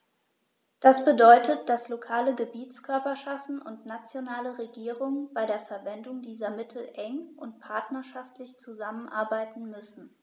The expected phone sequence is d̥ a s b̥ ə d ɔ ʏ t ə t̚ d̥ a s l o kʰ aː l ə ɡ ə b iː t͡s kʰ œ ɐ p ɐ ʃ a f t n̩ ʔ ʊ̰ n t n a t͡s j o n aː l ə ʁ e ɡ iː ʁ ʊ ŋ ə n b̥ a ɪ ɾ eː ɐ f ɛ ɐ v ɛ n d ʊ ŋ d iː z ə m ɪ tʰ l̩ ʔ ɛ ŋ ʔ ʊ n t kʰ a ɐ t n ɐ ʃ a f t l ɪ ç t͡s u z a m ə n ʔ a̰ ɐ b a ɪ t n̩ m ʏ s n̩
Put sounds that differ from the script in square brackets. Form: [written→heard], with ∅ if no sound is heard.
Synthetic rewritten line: d̥ a s b̥ ə d ɔ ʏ t ə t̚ d̥ a s l o kʰ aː l ə ɡ ə b iː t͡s kʰ œ ɐ p ɐ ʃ a f t n̩ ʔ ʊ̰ n t n a t͡s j o n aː l ə ʁ e ɡ iː ʁ ʊ ŋ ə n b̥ a ɪ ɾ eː ɐ f ɛ ɐ v ɛ n d ʊ ŋ d iː z [ə→ɐ] m ɪ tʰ l̩ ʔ ɛ ŋ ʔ ʊ n t [kʰ→pʰ] a ɐ t n ɐ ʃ a f t l ɪ ç t͡s u z a m ə n ʔ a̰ ɐ b a ɪ t n̩ m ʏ s n̩